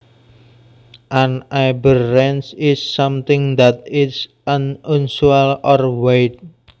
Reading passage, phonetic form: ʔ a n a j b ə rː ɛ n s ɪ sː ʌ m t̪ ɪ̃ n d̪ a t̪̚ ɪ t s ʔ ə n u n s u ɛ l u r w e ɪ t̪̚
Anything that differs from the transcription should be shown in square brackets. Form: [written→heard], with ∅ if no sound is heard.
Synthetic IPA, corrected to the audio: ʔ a n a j b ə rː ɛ n s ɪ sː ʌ m t̪ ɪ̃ [n→ŋ] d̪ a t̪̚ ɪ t s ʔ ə n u n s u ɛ l [u→ɔ] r w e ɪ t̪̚

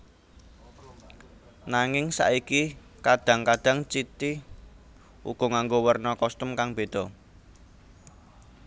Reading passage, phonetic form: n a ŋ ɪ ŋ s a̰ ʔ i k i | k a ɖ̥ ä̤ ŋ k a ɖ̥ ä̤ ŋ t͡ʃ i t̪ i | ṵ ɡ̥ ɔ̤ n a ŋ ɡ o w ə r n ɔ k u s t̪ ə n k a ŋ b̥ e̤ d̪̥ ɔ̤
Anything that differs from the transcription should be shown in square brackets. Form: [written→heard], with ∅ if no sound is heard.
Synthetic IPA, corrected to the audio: n a ŋ ɪ ŋ s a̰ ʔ i k i | k a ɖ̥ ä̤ ŋ k a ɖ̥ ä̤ ŋ t͡ʃ i t̪ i | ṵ ɡ̥ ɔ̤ [n→ŋ] a ŋ ɡ o w ə r n ɔ k [u→ɔ] s t̪ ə [n→m] k a ŋ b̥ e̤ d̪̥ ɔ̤

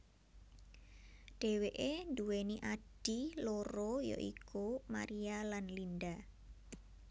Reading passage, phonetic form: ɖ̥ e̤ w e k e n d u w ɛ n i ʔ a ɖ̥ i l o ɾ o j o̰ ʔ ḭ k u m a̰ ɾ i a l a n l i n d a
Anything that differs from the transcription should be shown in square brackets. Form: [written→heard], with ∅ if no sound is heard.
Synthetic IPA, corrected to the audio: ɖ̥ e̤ w e [k→ʔ] e n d u w [ɛ→e] n i ʔ a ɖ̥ i l o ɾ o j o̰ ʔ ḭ k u m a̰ ɾ i a l a n l i n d a

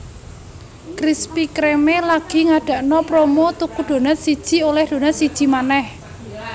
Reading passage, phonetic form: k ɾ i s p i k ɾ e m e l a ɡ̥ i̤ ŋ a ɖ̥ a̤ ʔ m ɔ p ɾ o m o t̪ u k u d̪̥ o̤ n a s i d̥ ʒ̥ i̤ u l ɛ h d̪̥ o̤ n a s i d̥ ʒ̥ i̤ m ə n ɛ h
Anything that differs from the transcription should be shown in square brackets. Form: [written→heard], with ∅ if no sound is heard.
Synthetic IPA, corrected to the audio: k ɾ i s p i k ɾ e m e l a ɡ̥ i̤ ŋ a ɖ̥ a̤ ʔ [m→n] ɔ p ɾ o m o t̪ u k u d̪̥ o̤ n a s i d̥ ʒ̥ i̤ [u→o] l ɛ h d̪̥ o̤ n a s i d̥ ʒ̥ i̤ m [ə→a] n ɛ h

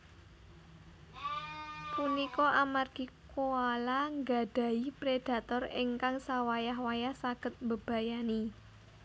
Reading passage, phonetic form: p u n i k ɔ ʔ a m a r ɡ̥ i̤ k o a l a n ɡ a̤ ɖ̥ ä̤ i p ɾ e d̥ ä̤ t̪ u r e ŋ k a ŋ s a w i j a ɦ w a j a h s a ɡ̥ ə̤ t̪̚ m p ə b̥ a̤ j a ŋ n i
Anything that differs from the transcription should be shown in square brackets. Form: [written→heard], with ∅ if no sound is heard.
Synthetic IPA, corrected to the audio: p u n i k ɔ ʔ a m a r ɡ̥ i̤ k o a l a [n→ŋ] ɡ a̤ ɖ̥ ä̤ i p ɾ e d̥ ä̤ t̪ [u→ɔ] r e ŋ k a ŋ s a w [i→a] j a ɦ w a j a h s a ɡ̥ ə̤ t̪̚ m [p→b] ə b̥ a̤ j a [ŋ→∅] n i

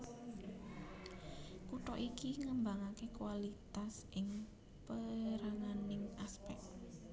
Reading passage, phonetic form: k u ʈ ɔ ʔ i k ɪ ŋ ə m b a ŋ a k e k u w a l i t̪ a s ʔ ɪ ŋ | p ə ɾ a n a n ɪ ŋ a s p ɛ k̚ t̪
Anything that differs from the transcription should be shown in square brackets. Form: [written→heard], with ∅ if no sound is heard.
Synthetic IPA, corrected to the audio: k u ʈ ɔ ʔ i k [ɪ→i] ŋ ə m b a ŋ a k e k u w a l i t̪ a s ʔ ɪ ŋ | p ə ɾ a [n→ŋ] a n ɪ ŋ a s p ɛ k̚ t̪

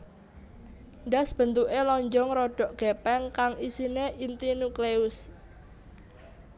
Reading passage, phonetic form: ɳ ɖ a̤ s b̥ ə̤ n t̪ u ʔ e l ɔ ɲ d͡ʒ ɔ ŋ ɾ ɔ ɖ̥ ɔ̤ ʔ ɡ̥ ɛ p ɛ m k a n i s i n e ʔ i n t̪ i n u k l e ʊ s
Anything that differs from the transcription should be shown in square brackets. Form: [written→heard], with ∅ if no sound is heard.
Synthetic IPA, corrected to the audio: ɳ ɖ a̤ s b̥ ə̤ n t̪ u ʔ e l ɔ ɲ d͡ʒ ɔ ŋ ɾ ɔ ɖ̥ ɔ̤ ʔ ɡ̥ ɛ p ɛ [m→ŋ] k a [n→ŋ] i s i n e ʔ i n t̪ i n u k l e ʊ s

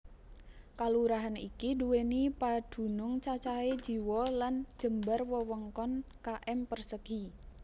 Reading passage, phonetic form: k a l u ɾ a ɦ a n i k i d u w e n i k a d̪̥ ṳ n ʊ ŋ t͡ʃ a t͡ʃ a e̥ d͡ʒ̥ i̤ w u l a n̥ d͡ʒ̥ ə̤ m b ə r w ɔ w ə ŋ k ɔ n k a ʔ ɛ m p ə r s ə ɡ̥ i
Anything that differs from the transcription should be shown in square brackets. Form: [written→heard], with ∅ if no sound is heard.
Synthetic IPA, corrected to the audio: k a l u ɾ a ɦ a n i k i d u w e n i [k→p] a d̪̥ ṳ n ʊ ŋ t͡ʃ a t͡ʃ a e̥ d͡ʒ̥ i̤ w [u→ɔ] l a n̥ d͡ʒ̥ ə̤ m b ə r w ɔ w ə ŋ k ɔ n k a ʔ ɛ m p ə r s ə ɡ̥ i

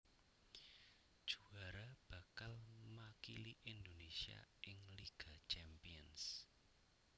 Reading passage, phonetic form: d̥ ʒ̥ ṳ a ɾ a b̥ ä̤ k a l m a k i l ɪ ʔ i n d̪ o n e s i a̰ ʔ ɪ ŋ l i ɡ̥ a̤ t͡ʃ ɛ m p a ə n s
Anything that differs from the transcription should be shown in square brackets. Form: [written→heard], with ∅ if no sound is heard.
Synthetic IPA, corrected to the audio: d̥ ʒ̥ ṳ a ɾ a b̥ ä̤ k a l m a k i l [ɪ→i] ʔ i n d̪ o n e s i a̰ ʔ ɪ ŋ l i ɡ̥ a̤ t͡ʃ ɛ m p [a→i] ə n s

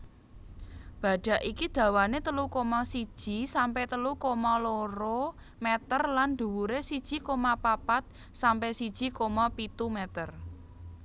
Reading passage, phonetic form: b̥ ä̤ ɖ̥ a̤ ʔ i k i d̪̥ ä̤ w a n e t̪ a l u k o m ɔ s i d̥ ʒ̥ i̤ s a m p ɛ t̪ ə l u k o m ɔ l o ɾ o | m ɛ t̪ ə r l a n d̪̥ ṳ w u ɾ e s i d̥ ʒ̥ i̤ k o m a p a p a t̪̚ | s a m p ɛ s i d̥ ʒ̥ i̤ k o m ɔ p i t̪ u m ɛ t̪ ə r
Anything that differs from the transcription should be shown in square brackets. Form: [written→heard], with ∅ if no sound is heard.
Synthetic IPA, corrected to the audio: b̥ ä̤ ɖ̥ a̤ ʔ i k i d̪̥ ä̤ w a n e t̪ [a→ə] l u k o m ɔ s i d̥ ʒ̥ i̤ s a m p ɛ t̪ ə l u k o m ɔ l o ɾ o | m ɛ t̪ ə r l a n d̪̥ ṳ w u ɾ e s i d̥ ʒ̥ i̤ k o m a p a p a t̪̚ | s a m p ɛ s i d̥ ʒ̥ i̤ k o m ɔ p i t̪ u m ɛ t̪ ə r

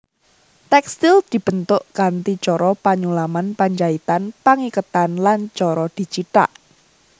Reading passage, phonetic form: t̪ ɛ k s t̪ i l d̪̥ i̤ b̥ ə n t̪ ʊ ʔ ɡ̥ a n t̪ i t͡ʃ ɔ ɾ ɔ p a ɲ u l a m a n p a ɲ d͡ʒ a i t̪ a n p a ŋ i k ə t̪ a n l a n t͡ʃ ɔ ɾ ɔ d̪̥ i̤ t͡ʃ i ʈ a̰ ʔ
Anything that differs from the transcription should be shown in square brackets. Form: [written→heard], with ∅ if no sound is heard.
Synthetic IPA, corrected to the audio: t̪ ɛ k s t̪ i l d̪̥ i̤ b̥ ə n t̪ ʊ ʔ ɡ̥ a n t̪ i t͡ʃ ɔ ɾ ɔ p a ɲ u l a m a n p a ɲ d͡ʒ a i t̪ a n p a ŋ i k ə t̪ a n l a n t͡ʃ ɔ ɾ ɔ d̪̥ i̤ t͡ʃ i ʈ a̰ ʔ

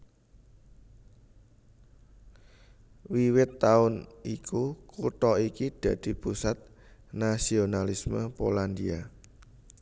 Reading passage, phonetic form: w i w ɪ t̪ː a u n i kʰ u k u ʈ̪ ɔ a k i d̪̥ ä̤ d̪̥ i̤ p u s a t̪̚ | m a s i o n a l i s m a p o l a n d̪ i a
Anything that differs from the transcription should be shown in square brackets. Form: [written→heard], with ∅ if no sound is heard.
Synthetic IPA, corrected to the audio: w i w ɪ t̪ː a [u→ʊ] n i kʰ u k u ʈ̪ ɔ [a→i] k i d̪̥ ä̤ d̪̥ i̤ p u s a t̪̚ | [m→n] a s i o n a l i s m [a→ə] p o l a n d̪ i a

